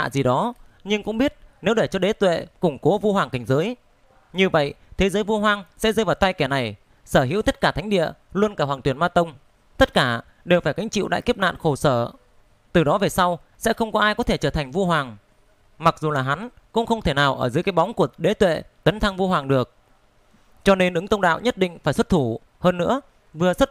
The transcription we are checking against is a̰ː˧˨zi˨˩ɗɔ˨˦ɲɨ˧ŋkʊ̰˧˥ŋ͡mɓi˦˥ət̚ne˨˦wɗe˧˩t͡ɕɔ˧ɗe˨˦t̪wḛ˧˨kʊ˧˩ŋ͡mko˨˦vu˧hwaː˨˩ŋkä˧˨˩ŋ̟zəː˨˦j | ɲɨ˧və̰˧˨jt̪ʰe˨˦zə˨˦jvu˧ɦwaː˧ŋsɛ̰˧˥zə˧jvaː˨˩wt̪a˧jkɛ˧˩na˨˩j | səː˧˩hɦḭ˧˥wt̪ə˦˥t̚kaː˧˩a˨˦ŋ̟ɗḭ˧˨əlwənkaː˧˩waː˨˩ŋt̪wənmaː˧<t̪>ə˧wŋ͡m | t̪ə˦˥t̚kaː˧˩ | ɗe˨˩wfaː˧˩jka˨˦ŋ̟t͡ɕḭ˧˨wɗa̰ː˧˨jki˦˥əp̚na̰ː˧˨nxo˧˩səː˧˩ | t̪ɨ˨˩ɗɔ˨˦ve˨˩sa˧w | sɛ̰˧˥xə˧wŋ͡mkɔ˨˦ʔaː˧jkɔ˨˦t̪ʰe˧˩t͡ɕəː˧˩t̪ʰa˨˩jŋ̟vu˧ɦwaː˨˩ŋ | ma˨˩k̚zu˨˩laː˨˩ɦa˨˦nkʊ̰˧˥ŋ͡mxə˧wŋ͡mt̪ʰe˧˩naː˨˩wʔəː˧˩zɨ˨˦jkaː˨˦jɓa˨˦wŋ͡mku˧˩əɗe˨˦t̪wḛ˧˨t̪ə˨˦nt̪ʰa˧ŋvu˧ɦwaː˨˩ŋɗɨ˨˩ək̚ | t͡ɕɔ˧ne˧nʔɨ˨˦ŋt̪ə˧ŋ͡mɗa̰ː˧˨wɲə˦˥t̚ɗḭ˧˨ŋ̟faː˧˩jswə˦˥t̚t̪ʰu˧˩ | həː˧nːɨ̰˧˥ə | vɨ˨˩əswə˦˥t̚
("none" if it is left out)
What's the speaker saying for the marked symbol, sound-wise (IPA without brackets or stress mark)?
t̪